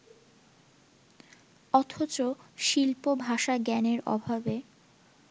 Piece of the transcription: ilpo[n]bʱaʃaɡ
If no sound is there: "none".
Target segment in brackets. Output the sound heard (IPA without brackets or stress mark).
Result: none